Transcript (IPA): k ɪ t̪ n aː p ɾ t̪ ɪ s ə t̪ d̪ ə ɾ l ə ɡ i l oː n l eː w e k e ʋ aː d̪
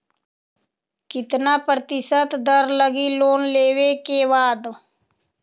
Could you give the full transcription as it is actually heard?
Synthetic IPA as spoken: k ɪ t̪ n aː p ɾ t̪ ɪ s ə t̪ d̪ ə ɾ l ə ɡ i l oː n l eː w e k e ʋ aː d̪